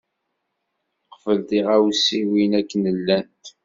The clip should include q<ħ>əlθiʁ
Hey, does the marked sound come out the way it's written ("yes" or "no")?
no